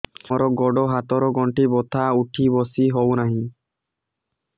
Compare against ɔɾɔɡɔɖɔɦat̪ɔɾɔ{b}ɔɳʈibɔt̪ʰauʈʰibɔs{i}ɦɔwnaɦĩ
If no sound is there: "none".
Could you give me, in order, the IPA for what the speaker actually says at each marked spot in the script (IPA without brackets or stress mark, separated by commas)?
ɡ, i